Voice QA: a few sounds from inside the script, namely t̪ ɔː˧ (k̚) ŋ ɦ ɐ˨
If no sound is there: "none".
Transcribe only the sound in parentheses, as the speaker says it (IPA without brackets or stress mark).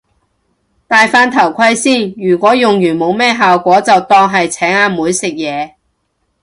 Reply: none